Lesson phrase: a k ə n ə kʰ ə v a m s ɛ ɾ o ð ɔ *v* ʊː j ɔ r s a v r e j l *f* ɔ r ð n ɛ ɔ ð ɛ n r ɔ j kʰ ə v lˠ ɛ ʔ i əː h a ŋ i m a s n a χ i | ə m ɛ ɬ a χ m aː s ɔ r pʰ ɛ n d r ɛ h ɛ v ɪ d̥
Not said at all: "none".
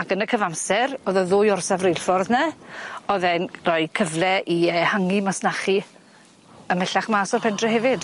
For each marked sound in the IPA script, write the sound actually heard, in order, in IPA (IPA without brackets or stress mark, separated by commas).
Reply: ð, f